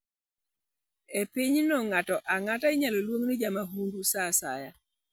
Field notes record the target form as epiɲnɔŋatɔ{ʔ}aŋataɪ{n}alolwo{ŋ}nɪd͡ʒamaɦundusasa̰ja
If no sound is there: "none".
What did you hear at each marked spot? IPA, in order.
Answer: ʔ, ɲ, ŋ

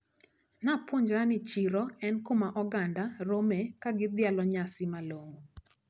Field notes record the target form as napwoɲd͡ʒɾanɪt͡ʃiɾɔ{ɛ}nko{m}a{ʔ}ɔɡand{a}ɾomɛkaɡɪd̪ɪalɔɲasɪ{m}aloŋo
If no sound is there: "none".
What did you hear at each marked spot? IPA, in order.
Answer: ɛ, m, ʔ, a, m

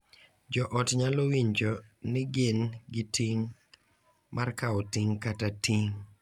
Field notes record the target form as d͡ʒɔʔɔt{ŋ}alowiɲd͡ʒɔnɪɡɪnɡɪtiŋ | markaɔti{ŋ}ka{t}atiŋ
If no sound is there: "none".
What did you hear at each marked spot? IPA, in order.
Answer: ɲ, ŋ, t

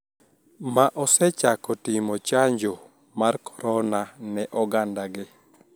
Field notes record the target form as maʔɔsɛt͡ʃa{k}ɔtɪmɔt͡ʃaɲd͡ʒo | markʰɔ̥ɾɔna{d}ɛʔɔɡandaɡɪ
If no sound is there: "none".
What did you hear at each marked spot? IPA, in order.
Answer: k, n

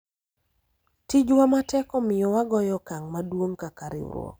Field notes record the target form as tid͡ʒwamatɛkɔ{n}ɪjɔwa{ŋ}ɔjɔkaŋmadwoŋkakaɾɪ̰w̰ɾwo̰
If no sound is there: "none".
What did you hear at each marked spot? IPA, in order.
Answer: m, ɡ

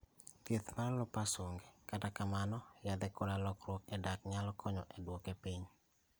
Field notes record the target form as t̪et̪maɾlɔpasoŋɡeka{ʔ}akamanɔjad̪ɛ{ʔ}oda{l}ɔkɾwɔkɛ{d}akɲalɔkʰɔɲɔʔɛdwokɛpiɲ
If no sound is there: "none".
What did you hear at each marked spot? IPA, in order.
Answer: t, k, l, d

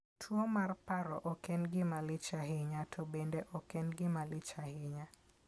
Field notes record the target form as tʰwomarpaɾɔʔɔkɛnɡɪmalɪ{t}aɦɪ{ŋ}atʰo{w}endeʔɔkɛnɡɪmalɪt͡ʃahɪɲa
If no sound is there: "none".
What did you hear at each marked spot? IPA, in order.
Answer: t͡ʃ, ɲ, b

